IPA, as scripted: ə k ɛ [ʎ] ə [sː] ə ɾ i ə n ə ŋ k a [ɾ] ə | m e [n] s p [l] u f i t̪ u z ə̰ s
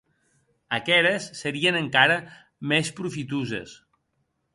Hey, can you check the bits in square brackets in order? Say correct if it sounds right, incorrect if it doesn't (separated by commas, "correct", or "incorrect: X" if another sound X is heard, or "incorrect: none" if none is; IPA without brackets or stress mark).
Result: incorrect: ɾ, correct, correct, incorrect: none, incorrect: ɾ